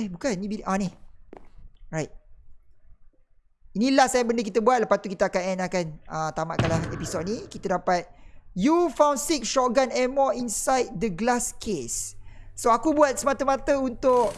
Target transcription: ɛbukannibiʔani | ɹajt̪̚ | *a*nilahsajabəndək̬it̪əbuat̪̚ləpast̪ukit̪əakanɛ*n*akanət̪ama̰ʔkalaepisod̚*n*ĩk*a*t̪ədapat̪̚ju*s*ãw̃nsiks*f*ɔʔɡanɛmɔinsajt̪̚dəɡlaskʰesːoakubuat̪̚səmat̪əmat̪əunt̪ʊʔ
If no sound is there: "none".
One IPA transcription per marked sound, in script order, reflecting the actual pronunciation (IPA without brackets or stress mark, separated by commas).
i, n, n, i, f, ʃ